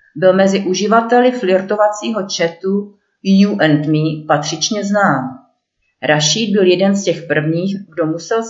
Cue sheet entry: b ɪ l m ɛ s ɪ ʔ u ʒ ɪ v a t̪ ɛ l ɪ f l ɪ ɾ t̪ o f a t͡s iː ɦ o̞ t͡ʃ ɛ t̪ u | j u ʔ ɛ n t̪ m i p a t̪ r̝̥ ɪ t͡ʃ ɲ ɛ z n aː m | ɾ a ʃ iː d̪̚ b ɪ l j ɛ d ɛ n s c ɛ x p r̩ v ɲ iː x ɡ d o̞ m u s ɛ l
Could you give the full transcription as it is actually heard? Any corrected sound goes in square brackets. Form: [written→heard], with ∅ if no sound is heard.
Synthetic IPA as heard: b ɪ l m ɛ [s→z] ɪ ʔ u ʒ ɪ v a t̪ ɛ l ɪ f l ɪ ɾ t̪ o [f→v] a t͡s iː ɦ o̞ t͡ʃ ɛ t̪ u | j u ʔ ɛ n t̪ m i p a t̪ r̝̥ ɪ t͡ʃ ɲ ɛ z n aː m | ɾ a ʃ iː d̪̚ b ɪ l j ɛ d ɛ n s c ɛ x p r̩ v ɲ iː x ɡ d o̞ m u s ɛ l